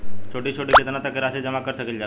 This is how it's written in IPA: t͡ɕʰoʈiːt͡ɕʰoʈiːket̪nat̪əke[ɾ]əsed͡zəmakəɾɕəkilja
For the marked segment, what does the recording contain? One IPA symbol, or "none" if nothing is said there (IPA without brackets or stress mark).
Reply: ɾ